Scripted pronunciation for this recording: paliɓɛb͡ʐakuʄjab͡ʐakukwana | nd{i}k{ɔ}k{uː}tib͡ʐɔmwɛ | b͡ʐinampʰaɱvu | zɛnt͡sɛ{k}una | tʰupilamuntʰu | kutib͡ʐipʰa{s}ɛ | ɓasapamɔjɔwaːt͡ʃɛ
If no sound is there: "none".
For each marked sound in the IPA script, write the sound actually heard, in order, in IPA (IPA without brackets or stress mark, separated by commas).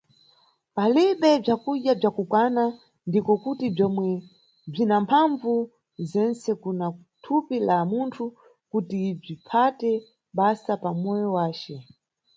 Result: i, ɔ, u, k, t